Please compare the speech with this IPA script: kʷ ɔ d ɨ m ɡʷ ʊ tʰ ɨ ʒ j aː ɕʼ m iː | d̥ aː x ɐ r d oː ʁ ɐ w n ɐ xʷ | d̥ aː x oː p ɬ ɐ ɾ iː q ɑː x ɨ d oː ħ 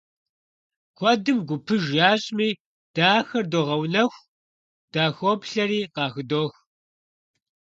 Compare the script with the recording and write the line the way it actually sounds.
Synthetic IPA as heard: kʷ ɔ d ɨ m ɡʷ ʊ pʰ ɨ ʒ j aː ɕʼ m iː | d̥ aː x ɐ r d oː ʁ ɐ w n ɐ xʷ | d̥ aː x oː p ɬ ɐ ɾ iː q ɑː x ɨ d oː x